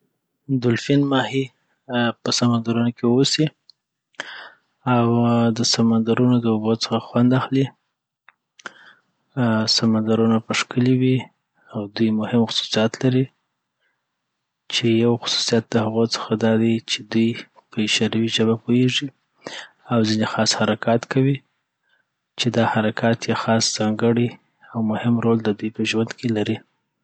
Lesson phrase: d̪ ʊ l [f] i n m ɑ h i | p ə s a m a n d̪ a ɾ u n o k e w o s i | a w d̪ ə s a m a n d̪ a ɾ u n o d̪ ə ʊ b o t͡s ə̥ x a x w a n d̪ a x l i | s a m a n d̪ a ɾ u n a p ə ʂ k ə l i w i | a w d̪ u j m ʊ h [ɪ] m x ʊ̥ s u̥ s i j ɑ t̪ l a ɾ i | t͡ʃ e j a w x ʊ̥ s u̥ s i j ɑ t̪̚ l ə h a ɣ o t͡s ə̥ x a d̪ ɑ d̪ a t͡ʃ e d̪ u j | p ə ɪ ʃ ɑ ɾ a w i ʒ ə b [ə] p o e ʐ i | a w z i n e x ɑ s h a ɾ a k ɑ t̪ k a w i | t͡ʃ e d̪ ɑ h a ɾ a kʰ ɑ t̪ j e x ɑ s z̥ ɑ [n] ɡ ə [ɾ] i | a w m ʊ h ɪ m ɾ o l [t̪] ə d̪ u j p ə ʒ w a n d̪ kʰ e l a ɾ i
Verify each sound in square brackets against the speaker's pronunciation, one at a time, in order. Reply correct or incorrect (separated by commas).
correct, correct, incorrect, incorrect, incorrect, incorrect